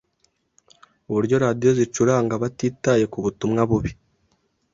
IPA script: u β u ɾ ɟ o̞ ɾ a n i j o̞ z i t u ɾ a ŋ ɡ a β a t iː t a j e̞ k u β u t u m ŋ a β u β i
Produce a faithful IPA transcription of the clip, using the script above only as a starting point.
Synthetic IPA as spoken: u β u ɾ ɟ o̞ ɾ a d i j o̞ z i t͡ʃ u ɾ a ŋ ɡ a β a t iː t a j e̞ k u β u t u m ŋ a β u β i